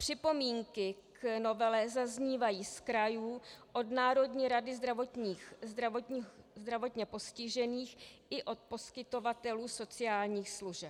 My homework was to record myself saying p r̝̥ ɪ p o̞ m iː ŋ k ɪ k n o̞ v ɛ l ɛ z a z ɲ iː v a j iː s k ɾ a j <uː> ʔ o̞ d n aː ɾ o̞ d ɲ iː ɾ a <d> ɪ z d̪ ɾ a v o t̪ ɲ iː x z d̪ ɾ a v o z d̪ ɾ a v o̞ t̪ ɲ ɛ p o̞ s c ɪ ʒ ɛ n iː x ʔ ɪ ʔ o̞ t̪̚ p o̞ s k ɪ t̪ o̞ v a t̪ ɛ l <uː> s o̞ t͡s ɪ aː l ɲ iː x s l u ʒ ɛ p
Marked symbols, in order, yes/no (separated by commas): yes, yes, yes